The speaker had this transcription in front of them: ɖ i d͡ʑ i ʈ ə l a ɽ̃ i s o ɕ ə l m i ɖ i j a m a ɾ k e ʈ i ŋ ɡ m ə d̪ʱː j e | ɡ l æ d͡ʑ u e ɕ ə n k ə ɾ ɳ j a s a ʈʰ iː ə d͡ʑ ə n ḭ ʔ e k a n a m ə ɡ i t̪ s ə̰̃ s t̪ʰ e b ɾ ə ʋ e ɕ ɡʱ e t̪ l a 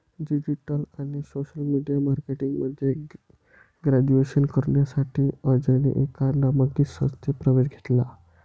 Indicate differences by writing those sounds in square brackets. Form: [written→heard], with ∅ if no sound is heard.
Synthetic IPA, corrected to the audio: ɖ i d͡ʑ i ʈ ə l a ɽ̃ i s o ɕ ə l m i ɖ i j a m a ɾ k e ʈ i ŋ ɡ m ə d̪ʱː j e | ɡ [l→ɾ] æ d͡ʑ u e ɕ ə n k ə ɾ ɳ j a s a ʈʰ iː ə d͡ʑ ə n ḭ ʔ e k a n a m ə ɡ i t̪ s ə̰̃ s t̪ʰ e [b→p] ɾ ə ʋ e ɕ ɡʱ e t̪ l a